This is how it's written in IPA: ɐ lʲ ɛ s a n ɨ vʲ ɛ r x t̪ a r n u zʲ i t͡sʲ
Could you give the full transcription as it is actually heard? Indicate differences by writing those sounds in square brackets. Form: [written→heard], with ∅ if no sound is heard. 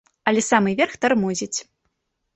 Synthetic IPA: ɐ lʲ ɛ s a [n→m] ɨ vʲ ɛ r x t̪ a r [n→m] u zʲ i t͡sʲ